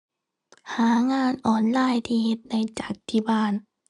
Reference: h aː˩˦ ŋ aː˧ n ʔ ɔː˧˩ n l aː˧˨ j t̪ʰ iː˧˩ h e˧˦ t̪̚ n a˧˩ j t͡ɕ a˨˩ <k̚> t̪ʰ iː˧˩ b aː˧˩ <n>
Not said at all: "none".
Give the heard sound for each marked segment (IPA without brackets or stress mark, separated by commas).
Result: k̚, n